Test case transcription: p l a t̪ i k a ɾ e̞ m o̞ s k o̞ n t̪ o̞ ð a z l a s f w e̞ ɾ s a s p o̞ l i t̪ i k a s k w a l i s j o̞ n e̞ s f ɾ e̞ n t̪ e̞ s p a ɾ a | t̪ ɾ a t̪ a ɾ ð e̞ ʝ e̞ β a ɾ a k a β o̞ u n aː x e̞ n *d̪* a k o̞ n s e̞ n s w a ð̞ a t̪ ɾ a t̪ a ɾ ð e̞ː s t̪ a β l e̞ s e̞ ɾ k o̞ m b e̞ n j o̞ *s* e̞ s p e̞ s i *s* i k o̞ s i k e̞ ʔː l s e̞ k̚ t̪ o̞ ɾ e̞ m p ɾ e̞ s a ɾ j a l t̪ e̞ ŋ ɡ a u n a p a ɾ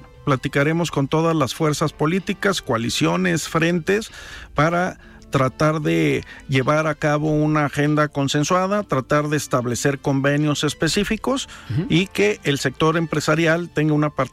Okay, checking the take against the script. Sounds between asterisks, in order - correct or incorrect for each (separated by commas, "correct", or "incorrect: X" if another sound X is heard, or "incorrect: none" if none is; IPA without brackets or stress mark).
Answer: correct, correct, incorrect: f